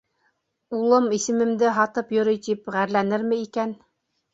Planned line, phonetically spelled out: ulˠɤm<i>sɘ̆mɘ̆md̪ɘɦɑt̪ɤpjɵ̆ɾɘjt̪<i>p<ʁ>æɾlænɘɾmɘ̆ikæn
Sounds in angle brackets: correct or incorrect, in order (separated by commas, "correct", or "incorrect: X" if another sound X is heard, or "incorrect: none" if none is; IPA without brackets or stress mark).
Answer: correct, correct, correct